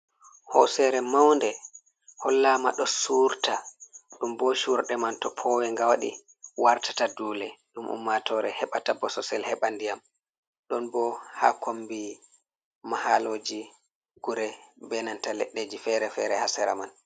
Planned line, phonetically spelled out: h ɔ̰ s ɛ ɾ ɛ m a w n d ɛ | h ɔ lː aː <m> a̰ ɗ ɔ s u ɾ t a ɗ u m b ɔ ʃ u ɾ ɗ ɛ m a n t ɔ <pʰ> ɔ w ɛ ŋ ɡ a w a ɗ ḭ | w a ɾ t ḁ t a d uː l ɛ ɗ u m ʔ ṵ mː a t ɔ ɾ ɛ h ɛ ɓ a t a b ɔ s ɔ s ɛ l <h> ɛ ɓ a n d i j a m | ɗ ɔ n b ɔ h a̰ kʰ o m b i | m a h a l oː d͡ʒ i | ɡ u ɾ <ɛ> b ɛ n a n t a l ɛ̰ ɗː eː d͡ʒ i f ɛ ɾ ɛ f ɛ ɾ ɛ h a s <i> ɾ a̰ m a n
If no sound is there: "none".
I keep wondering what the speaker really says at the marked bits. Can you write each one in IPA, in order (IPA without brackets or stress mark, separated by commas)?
m, pʰ, h, ɛ, ɛ